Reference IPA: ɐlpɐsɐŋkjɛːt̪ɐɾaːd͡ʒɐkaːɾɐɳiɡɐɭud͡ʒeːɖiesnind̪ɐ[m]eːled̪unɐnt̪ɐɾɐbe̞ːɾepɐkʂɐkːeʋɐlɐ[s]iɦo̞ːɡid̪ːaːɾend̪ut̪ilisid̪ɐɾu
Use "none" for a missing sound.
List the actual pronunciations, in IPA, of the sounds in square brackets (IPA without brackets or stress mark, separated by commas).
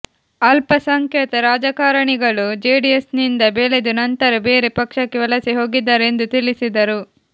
b, s